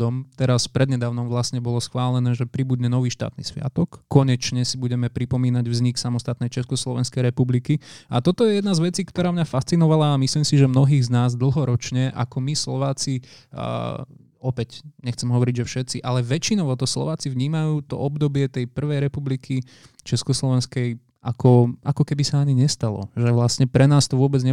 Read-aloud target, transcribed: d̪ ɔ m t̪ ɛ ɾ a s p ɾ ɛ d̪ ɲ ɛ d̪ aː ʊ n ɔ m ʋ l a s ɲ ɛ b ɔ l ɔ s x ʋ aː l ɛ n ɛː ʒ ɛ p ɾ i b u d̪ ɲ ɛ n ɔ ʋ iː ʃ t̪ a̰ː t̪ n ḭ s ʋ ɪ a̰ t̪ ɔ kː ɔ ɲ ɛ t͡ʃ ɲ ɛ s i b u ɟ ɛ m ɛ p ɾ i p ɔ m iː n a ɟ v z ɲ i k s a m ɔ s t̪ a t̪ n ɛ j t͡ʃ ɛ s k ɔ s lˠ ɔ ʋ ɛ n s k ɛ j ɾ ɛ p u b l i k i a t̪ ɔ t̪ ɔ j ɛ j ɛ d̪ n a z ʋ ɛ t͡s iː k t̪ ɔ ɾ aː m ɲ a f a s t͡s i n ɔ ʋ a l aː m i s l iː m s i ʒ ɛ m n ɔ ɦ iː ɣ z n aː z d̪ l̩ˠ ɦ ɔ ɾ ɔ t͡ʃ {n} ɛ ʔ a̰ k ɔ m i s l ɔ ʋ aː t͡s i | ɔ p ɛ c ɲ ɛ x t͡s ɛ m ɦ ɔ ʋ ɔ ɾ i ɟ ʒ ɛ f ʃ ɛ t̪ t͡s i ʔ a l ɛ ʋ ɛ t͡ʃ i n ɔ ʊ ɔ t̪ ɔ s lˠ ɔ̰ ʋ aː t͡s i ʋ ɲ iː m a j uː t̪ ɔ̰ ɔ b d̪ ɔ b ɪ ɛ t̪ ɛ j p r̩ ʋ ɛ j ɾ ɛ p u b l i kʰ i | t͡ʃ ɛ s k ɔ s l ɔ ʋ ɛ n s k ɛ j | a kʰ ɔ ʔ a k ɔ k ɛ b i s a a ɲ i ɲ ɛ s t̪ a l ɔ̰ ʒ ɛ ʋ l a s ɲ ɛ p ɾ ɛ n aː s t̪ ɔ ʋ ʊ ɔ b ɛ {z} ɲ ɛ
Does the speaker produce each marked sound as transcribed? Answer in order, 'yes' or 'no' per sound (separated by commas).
no, no